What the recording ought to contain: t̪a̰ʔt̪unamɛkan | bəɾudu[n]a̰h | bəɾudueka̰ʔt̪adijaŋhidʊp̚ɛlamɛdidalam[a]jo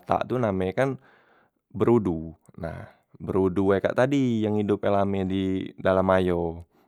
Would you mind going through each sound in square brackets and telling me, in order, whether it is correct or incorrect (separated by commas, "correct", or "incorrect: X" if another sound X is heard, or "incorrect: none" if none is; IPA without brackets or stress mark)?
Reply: correct, correct